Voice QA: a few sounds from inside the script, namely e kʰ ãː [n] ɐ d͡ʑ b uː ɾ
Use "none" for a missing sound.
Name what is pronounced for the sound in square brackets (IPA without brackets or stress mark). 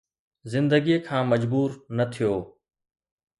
m